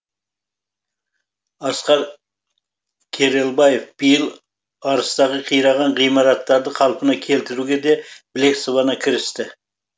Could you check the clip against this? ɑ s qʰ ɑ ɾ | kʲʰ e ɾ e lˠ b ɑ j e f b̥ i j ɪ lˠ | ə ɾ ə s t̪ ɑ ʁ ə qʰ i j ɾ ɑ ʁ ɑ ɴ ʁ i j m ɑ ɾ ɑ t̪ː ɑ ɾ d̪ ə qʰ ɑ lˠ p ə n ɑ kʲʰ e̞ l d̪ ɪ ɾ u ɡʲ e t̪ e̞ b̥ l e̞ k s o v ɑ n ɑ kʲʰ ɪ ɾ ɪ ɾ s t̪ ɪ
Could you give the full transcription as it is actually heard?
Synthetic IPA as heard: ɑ s q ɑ ɾ | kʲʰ e ɾ e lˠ b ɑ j e f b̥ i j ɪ lˠ | ɑ ɾ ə s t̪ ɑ ʁ ə qʰ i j ɾ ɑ ʁ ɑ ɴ ʁ i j m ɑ ɾ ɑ t̪ː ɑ ɾ d̪ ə qʰ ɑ lˠ p ə n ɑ kʲʰ e̞ l t̪ ɪ ɾ u ɡʲ e d̪ e̞ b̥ l e̞ k s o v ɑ n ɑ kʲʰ ɪ ɾ ɪ s t̪ ɪ

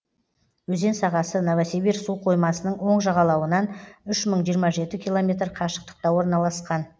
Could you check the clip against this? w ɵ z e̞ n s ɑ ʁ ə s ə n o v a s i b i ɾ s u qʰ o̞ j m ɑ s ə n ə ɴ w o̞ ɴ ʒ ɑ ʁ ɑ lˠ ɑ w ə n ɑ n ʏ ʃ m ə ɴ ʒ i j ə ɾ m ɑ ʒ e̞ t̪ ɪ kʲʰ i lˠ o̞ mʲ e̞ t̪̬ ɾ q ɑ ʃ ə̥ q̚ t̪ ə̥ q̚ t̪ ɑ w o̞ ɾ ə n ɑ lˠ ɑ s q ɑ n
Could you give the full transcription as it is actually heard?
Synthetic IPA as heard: w ɵ z e̞ n s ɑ ʁ ɑ s ə n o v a s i b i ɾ s u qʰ o̞ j m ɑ s ə n ə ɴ w o̞ ɴ ʒ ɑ ʁ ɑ lˠ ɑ w ə n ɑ n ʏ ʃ m ə ɴ ʒ i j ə ɾ m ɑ ʒ e̞ t̪ ɪ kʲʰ i lˠ o̞ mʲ e̞ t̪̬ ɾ qʰ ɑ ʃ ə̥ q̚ t̪ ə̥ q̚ t̪ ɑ w o̞ ɾ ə n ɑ lˠ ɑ s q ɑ n

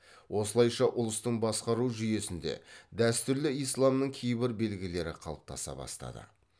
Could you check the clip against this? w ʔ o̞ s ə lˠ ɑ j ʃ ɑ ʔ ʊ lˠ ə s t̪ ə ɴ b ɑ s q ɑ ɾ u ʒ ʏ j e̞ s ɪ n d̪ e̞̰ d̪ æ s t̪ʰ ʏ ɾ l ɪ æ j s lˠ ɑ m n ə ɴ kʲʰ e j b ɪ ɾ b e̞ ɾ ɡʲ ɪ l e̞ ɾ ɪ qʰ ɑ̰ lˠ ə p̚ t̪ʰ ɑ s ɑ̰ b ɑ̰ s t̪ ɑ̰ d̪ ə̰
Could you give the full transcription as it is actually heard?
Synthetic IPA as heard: w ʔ o̞ s ə lˠ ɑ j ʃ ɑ ʔ ʊ lˠ ə s t̪ ə ɴ b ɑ s q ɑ ɾ u ʒ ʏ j e̞ s ɪ n d̪ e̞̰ d̪ æ s t̪ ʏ ɾ l ɪ i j s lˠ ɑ m n ə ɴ kʲʰ e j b ɪ ɾ b e̞ l ɡʲ ɪ l e̞ ɾ ɪ qʰ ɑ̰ lˠ ə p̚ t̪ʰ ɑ s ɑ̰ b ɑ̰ s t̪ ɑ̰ d̪ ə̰

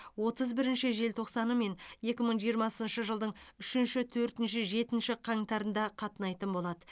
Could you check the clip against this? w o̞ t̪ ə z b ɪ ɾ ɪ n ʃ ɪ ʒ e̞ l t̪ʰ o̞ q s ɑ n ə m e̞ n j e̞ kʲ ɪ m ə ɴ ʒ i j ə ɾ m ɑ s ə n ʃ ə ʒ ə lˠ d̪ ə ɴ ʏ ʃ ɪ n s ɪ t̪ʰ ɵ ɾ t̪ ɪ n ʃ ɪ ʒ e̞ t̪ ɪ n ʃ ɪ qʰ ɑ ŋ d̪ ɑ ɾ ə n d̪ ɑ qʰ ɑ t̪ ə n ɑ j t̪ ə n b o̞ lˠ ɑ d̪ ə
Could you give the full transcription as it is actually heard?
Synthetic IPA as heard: w o̞ t̪ ə z b ɪ ɾ ɪ n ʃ ɪ ʒ e̞ l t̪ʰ o̞ q s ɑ n ə m e̞ n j e̞ kʲ ɪ m ə ɴ ʒ i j ə ɾ m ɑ s ə n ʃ ə ʒ ə lˠ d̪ ə ɴ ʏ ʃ ɪ n ʃ ɪ t̪ʰ ɵ ɾ t̪ ɪ n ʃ ɪ ʒ e̞ t̪ ɪ n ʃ ɪ qʰ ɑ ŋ t̪ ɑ ɾ ə n d̪ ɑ qʰ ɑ t̪ ə n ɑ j t̪ ə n b o̞ lˠ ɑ d̪ ə

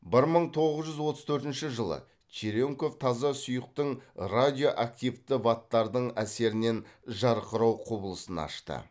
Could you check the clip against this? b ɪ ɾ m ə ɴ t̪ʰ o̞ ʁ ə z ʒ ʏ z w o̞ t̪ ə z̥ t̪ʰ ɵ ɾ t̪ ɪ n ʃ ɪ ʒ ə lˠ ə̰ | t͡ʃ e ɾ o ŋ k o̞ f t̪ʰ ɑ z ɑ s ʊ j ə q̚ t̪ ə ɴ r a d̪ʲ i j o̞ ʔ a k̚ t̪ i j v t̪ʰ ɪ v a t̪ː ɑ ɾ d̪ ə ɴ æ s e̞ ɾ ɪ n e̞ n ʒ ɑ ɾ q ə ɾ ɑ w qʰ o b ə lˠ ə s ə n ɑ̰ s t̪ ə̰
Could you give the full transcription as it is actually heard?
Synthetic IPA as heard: b ɪ ɾ m ə ɴ t̪ʰ o̞ ʁ ə z ʒ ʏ z w o̞ t̪ ə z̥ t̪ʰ ɵ ɾ t̪ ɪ n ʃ ɪ ʒ ə lˠ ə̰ | t͡ʃ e ɾ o ŋ k o̞ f t̪ʰ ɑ z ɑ s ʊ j ə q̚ t̪ ə ɴ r a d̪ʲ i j o̞ ʔ a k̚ t̪ i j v t̪ ɪ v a t̪ː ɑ ɾ d̪ ə ɴ æ s e̞ ɾ ɪ n e̞ n ʒ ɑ ɾ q ə ɾ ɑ w qʰ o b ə lˠ ə s ə n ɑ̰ ʃ t̪ ə̰

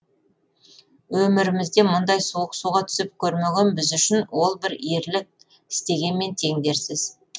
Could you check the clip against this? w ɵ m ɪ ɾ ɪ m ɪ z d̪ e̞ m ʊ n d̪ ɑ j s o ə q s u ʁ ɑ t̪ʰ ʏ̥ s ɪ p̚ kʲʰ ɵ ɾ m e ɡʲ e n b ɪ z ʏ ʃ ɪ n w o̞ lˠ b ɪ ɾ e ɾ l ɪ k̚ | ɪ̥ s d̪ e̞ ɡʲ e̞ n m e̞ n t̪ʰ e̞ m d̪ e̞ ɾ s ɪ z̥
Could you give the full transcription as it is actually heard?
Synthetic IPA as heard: w ɵ m ɪ ɾ ɪ m ɪ z d̪ e̞ m ʊ n d̪ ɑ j s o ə q s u ʁ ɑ t̪ʰ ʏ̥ s ɪ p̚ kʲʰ ɵ ɾ m e ɡʲ e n b ɪ z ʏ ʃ ɪ n w o̞ lˠ b ɪ ɾ e ɾ l ɪ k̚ | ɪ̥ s t̪ e̞ ɡʲ e̞ n m e̞ n t̪ʰ e̞ ŋ d̪ e̞ ɾ s ɪ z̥

